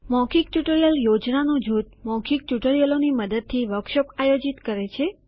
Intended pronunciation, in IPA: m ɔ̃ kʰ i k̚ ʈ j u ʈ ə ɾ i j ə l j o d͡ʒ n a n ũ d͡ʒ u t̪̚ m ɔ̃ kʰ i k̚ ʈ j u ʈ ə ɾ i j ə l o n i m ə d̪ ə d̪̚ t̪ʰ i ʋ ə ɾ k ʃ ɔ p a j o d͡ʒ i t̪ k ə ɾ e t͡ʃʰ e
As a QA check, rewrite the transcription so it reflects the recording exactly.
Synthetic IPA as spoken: m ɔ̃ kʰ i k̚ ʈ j u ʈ ə ɾ i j ə l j o d͡ʒ n a n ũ d͡ʒ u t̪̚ m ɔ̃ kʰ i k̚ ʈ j u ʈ ə ɾ i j ə l o n i m ə d̪ ə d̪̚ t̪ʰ i ʋ ə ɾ k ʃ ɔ p a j o d͡ʒ i t̪ k ə ɾ e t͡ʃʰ e

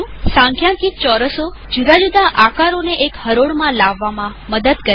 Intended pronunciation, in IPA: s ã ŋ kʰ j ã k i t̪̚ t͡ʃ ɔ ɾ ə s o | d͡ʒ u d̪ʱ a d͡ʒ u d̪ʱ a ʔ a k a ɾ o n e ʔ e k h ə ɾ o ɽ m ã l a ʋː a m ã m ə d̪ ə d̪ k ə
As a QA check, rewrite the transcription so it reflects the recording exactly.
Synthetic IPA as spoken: s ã ŋ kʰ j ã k i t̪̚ t͡ʃ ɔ ɾ ə s o | d͡ʒ u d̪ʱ a d͡ʒ u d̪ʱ a ʔ a k a ɾ o n e ʔ e k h ə ɾ o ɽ m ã l a ʋː a m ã m ə d̪ ə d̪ k ə

